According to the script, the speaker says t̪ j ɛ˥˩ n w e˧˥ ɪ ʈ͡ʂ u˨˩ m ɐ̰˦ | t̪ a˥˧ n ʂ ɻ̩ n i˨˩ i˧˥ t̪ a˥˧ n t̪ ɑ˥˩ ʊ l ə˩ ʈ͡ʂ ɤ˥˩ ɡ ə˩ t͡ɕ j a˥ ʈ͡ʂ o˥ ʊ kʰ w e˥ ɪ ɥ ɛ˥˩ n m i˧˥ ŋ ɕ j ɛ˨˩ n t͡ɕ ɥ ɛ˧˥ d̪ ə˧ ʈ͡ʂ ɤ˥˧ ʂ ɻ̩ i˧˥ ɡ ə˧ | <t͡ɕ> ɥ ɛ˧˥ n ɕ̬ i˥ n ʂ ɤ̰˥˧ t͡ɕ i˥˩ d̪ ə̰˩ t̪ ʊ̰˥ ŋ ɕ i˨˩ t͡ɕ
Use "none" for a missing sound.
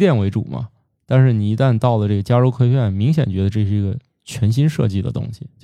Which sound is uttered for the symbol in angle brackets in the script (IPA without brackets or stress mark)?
t͡ɕʰ